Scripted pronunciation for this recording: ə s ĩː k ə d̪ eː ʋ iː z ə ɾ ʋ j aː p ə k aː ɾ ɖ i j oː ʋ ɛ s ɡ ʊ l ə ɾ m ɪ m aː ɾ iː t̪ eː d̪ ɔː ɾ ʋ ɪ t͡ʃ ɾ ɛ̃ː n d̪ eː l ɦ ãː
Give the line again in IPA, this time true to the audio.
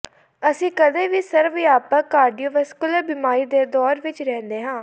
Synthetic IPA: ə s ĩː k ə d̪ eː ʋ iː s ə ɾ ʋ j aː p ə k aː ɾ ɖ i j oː ʋ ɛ s k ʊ l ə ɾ b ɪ m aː ɾ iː d̪ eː d̪ ɔː ɾ ʋ ɪ t͡ʃ ɾ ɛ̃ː n d̪ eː ɦ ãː